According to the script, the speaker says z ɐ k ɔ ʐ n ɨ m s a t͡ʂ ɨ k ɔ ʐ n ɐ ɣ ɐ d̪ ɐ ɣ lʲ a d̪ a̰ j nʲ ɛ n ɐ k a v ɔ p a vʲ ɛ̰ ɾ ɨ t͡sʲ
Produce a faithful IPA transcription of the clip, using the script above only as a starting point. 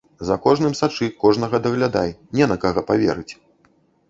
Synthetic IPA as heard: z ɐ k ɔ ʐ n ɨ m s a t͡ʂ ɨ k ɔ ʐ n ɐ ɣ ɐ d̪ ɐ ɣ lʲ a d̪ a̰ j nʲ ɛ n ɐ k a ɣ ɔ p a vʲ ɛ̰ ɾ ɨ t͡sʲ